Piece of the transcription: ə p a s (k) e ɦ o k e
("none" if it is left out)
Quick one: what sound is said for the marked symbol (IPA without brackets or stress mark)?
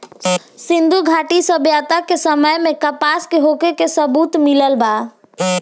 k